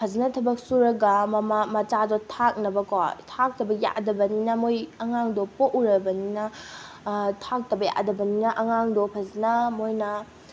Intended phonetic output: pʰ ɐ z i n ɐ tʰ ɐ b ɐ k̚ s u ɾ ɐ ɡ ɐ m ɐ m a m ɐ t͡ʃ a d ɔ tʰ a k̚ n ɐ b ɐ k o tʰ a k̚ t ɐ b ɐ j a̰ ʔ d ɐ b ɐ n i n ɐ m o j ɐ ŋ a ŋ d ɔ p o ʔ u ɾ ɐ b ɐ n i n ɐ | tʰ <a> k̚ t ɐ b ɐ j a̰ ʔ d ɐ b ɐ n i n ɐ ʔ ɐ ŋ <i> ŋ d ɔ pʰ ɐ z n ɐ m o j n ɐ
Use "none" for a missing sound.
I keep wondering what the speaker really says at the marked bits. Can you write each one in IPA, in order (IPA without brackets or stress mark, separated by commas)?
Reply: a, a